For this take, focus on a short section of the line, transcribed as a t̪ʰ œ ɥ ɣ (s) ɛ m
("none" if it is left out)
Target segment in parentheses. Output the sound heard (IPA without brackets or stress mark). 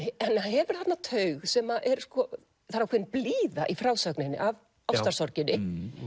s